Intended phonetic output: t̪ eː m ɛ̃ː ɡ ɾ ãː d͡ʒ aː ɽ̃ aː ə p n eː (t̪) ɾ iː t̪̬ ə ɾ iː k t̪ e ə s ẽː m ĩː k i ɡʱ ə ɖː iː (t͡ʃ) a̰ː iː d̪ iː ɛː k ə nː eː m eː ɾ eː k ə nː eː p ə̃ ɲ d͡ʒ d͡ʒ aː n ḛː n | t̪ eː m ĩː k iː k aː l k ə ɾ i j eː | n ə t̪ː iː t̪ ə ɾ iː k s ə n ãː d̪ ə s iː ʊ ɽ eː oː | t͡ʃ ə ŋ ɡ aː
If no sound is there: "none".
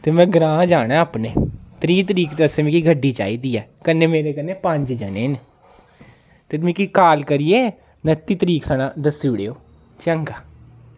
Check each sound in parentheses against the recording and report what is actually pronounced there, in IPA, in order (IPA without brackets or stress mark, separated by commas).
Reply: t̪, t͡ʃ